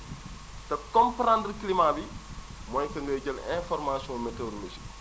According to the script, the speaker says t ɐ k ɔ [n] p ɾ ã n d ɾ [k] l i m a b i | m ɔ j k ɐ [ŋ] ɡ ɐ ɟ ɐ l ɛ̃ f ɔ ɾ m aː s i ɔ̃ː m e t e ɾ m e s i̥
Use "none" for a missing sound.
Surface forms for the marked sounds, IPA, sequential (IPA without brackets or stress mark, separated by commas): m, k, ŋ